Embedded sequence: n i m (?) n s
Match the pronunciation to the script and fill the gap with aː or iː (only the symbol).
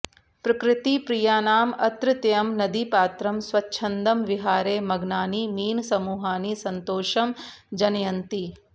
iː